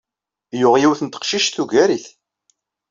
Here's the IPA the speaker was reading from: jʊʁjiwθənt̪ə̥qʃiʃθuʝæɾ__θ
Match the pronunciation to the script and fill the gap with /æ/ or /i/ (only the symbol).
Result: i